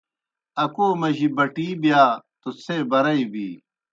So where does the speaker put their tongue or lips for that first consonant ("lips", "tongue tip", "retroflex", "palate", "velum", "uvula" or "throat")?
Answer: velum